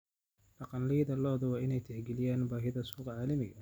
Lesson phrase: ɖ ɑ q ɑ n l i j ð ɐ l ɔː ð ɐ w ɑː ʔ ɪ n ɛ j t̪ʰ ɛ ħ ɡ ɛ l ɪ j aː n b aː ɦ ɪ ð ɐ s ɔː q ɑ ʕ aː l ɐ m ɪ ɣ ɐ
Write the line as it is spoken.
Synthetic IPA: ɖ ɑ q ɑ n l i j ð ɐ l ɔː ð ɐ w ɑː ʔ ɪ n ɛ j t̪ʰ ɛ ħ ɡ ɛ l ɪ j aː n b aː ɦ ɪ ð ɐ s uː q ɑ ʕ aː l ɐ m ɪ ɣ ɐ